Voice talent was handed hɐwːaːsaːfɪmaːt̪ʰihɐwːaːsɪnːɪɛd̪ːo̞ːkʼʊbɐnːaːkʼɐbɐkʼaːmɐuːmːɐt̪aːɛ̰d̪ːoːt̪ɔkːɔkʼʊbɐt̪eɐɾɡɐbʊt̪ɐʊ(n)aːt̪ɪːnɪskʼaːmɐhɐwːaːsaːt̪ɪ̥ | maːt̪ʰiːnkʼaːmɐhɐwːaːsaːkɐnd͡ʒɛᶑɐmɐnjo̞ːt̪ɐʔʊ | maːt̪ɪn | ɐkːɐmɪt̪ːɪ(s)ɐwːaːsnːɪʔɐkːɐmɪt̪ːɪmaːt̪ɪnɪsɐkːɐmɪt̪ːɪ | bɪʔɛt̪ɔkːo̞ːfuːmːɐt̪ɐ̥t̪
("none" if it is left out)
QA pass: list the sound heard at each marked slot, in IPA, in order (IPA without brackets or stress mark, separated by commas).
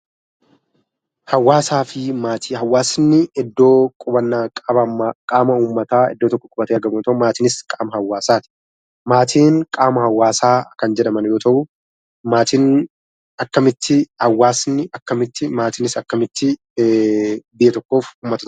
m, h